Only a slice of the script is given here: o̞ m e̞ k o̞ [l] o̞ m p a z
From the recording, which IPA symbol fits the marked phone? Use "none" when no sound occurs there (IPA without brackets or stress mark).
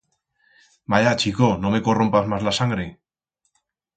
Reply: r